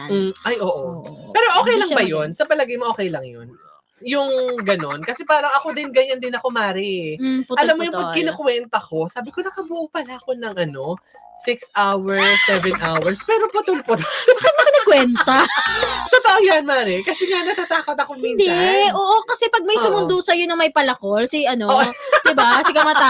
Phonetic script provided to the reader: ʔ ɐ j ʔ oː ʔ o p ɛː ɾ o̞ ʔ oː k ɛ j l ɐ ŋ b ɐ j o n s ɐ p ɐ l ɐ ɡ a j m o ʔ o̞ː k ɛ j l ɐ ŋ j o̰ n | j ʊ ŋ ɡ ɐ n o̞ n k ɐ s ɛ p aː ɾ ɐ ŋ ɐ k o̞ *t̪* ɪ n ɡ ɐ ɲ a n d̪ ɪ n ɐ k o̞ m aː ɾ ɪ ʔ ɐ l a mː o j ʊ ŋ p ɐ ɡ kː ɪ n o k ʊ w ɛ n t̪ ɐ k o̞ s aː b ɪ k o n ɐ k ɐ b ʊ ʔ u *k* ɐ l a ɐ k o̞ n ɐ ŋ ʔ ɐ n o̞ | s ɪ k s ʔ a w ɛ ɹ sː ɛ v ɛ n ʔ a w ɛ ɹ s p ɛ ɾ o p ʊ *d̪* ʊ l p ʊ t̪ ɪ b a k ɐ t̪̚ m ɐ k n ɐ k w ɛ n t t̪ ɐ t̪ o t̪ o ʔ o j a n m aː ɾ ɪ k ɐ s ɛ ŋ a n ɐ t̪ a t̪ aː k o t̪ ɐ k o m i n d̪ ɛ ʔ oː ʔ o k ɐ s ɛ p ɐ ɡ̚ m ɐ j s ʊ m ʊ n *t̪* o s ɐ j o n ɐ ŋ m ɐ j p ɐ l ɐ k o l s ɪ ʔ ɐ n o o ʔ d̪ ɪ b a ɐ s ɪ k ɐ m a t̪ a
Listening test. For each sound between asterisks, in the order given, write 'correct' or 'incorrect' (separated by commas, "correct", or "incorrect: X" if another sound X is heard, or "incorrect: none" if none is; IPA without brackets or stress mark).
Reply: incorrect: d̪, incorrect: p, incorrect: t̪, incorrect: d̪